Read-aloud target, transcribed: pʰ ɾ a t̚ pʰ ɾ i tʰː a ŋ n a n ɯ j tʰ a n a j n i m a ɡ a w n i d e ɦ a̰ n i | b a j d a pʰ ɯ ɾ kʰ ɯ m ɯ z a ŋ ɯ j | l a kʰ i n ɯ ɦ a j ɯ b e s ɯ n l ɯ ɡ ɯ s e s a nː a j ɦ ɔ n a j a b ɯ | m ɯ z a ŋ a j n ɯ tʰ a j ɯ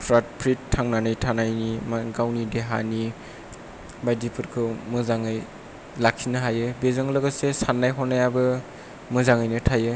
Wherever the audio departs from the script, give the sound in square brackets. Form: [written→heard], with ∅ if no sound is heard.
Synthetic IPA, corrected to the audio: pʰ ɾ a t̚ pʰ ɾ i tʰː a ŋ n a n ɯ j tʰ a n a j n i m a ɡ a w n i d e ɦ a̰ n i | b a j d [a→i] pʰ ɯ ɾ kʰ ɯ m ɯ z a ŋ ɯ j | l a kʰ i n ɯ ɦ a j ɯ b e [s→z] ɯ [n→ŋ] l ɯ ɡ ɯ s e s a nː a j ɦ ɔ n a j a b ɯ | m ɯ z a ŋ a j n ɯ tʰ a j ɯ